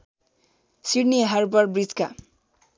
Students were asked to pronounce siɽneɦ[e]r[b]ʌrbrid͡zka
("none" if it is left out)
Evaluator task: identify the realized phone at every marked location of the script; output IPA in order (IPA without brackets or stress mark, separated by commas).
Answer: a, b